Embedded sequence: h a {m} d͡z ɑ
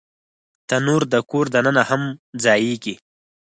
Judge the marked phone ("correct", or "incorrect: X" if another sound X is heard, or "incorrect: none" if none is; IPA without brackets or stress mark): correct